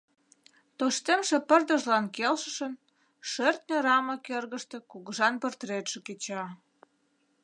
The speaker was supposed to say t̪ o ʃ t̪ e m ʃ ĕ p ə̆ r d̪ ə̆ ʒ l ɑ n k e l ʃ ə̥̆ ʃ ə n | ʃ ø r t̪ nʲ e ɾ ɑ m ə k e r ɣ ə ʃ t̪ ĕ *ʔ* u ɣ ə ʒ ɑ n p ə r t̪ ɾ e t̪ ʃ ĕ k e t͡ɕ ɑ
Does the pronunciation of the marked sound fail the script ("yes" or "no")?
yes